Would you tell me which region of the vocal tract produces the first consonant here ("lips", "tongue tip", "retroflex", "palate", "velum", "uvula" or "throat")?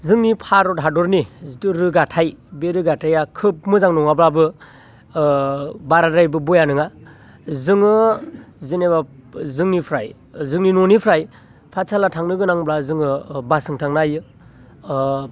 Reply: tongue tip